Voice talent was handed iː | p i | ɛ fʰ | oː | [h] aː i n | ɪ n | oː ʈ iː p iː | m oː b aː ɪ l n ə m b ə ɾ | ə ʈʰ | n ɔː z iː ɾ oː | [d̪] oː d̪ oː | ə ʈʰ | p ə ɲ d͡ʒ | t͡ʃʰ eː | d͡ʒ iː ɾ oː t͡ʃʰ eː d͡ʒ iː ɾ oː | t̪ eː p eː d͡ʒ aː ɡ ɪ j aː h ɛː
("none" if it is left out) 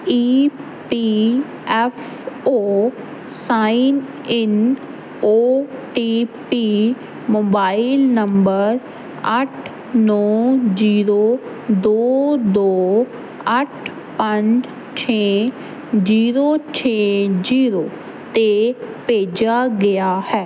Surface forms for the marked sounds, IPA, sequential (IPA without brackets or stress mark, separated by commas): s, d̪